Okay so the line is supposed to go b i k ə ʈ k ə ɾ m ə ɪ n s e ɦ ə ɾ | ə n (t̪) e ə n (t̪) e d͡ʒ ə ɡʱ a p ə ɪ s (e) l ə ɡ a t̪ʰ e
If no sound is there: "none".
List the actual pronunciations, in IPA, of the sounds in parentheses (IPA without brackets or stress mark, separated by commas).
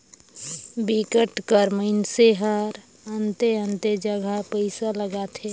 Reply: t̪, t̪, a